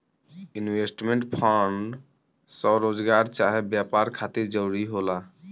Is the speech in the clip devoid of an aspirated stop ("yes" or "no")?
no